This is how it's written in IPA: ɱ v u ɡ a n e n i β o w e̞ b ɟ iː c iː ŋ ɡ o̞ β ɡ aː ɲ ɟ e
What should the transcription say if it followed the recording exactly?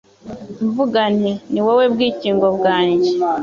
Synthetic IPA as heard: ɱ v u ɡ a n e n i w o w e̞ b ɡ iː c iː ŋ ɡ o̞ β ɡ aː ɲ ɟ e